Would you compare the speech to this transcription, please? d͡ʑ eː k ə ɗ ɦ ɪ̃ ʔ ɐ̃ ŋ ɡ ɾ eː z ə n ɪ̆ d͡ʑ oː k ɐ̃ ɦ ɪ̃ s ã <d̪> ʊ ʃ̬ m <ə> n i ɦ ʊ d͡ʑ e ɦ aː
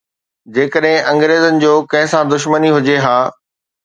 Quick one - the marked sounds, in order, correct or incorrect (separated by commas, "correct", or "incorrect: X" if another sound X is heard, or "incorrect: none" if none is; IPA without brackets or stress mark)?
correct, correct